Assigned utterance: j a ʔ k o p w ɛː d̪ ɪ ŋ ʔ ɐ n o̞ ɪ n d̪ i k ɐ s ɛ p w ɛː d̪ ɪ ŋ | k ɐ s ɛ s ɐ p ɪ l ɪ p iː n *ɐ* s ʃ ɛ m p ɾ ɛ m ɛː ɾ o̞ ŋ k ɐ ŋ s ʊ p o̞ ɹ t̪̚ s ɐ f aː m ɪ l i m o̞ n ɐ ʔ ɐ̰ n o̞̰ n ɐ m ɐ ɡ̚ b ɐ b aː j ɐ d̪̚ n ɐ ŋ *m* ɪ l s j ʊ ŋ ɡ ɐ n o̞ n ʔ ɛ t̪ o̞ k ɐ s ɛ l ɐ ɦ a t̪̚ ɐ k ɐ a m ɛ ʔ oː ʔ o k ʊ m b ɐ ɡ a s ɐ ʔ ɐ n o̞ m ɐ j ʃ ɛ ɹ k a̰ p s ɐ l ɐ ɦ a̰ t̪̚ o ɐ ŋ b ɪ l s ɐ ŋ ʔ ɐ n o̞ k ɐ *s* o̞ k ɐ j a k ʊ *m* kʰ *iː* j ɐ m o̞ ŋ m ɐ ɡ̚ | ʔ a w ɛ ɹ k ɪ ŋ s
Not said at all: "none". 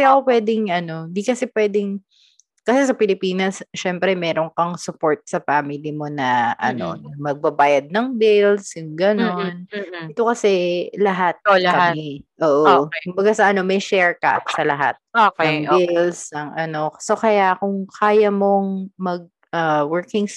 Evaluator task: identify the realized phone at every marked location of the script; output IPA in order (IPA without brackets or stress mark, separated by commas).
ɐ, b, s, ŋ, aː